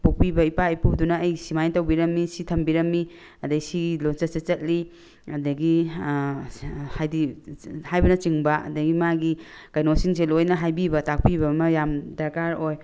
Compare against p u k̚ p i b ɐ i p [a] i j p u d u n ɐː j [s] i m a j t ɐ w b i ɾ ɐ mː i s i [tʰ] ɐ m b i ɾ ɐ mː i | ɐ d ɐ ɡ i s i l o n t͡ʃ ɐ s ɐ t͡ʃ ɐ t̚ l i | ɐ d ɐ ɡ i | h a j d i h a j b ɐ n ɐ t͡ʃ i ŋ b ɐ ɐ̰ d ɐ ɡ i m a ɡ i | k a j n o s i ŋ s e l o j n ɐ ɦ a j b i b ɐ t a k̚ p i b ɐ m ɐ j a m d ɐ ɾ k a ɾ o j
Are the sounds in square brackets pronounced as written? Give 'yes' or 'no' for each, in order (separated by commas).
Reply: yes, yes, yes